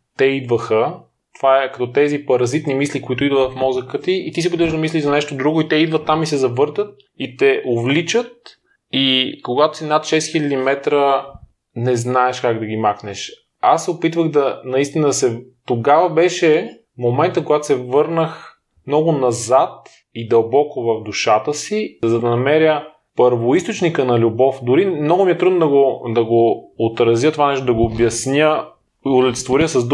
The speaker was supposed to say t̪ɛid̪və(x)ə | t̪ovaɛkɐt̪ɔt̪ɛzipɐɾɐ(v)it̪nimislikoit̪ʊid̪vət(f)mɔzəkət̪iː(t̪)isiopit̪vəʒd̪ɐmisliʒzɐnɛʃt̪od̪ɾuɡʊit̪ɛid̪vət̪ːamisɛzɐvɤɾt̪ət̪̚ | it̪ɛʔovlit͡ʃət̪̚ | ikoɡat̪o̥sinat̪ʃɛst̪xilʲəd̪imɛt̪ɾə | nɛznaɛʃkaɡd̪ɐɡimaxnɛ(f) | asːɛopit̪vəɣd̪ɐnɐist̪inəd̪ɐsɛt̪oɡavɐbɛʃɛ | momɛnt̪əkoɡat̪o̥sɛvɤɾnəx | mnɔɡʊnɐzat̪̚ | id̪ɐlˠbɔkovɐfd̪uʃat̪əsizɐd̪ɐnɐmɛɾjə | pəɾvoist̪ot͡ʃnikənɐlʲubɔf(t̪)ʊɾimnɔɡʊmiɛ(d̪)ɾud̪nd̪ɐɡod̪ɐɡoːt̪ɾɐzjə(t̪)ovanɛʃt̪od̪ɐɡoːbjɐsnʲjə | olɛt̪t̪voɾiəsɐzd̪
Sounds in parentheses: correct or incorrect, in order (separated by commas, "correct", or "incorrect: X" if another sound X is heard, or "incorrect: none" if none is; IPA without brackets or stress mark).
correct, incorrect: z, correct, correct, incorrect: ʃ, incorrect: d̪, incorrect: t̪, correct